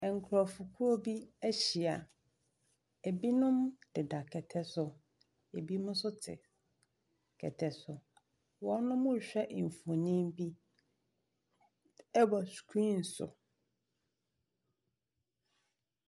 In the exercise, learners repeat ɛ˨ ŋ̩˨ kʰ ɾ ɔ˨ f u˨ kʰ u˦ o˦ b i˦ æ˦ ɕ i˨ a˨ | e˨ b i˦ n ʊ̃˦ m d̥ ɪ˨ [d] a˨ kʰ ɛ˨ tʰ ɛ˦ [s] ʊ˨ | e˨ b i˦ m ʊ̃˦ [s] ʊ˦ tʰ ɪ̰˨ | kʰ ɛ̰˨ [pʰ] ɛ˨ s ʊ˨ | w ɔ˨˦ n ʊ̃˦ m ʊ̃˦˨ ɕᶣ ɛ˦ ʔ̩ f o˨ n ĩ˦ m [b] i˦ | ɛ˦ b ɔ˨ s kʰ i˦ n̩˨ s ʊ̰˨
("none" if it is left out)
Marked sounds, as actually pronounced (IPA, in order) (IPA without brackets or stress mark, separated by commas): d, s, s, tʰ, b